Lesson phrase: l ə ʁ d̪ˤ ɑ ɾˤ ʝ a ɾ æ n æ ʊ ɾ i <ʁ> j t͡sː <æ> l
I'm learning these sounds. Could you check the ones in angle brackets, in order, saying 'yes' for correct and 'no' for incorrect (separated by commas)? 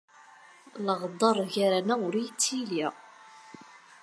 no, no